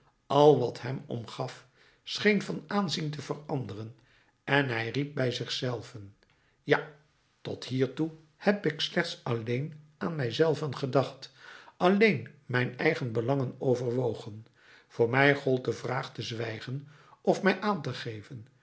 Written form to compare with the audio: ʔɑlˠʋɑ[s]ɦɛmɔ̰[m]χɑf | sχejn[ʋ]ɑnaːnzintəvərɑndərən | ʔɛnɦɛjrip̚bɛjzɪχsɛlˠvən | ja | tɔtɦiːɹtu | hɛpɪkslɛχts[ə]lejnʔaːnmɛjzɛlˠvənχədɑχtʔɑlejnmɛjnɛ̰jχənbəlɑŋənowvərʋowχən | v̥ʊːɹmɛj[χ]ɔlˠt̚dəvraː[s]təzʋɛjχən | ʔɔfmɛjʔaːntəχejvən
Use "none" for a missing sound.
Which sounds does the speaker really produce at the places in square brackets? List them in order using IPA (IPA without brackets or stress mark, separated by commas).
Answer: t, m, v, ɑ, χ, χ